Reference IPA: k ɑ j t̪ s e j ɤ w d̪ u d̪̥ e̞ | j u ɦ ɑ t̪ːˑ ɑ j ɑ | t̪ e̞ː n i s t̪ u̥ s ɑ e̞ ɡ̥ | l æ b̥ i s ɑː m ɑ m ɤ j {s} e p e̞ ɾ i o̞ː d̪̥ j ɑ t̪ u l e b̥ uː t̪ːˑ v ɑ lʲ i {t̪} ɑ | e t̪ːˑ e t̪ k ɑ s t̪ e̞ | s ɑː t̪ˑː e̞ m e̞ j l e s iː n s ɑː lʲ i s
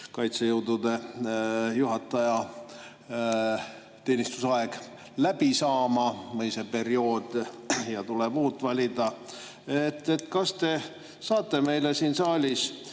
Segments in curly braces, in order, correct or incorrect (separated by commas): correct, incorrect